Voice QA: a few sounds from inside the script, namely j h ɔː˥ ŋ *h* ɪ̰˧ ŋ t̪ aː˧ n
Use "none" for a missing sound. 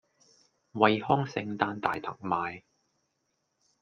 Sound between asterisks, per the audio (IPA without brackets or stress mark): s